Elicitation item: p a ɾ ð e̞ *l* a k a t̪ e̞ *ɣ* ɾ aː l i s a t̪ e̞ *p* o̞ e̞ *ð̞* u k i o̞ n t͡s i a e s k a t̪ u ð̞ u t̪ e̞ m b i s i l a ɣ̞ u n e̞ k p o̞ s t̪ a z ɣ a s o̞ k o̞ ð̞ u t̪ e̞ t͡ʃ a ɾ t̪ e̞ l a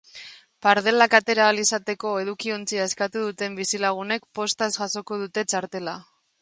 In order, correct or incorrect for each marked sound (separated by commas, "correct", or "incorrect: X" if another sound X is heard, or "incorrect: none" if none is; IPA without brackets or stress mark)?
correct, incorrect: none, incorrect: k, correct